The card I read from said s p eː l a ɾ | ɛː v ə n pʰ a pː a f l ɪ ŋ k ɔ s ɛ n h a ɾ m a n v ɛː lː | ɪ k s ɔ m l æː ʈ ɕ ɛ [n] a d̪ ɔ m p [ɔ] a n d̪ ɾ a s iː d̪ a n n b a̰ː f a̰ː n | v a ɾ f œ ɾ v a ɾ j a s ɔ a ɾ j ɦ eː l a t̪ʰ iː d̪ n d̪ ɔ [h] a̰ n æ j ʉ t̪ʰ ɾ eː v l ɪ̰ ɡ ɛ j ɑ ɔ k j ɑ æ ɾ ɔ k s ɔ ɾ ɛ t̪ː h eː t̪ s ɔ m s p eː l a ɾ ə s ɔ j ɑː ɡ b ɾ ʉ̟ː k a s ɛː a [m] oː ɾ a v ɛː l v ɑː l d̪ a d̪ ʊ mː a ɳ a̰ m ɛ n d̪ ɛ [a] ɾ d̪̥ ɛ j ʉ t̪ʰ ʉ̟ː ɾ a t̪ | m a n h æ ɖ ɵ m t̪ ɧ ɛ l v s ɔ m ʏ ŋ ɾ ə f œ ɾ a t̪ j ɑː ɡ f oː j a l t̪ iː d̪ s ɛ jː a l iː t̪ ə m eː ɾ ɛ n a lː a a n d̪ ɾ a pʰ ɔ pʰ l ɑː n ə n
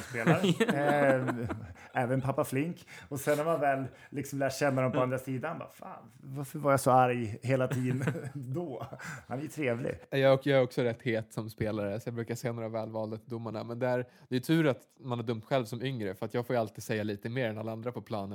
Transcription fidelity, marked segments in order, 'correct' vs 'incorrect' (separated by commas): incorrect, correct, correct, incorrect, incorrect